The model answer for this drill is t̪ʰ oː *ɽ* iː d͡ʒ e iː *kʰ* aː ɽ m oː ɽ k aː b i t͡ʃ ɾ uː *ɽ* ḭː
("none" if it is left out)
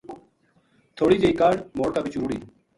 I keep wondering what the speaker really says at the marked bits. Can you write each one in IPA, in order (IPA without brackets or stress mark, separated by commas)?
ɽ, k, ɽ